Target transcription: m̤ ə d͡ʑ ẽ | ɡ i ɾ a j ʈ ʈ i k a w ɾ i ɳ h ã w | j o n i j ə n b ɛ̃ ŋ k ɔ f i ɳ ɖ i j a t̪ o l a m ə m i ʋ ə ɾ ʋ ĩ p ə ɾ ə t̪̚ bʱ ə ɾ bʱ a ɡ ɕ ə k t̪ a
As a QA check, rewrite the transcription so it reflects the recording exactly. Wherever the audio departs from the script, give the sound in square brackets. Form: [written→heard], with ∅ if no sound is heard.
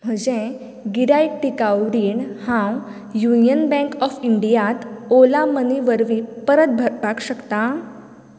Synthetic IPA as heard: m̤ ə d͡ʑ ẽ | ɡ i ɾ a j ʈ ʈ i k a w ɾ i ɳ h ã w | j [o→u] n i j ə n b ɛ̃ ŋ k ɔ f i ɳ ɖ i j a t̪ o l a m ə [m→n] i ʋ ə ɾ ʋ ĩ p ə ɾ ə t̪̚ bʱ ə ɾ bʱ a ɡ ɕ ə k t̪ a